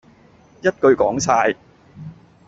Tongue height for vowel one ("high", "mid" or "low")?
low